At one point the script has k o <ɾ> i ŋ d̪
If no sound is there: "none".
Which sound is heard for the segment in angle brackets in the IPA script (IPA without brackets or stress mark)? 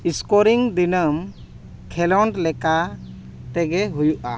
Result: ɾ